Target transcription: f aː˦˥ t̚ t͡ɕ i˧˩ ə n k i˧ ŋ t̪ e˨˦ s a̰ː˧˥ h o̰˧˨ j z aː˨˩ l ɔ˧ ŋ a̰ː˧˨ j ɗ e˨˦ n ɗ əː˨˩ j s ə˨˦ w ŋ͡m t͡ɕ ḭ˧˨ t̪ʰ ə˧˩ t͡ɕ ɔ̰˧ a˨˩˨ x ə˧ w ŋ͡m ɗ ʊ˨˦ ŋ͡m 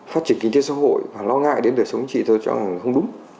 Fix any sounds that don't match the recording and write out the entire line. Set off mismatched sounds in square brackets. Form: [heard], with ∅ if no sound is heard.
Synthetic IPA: f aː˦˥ t̚ t͡ɕ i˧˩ ə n k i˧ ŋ t̪ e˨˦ s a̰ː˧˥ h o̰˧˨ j [v] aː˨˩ l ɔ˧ ŋ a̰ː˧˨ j ɗ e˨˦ n ɗ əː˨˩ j s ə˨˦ w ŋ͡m t͡ɕ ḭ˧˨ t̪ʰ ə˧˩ t͡ɕ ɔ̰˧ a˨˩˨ x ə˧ w ŋ͡m ɗ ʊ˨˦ ŋ͡m